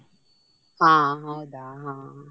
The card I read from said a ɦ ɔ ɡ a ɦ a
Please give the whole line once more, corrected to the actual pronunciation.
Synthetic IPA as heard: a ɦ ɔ d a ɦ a